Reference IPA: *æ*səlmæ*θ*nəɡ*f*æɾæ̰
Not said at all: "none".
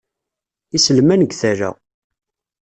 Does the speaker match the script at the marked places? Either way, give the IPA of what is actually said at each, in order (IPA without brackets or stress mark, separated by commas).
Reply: i, none, θ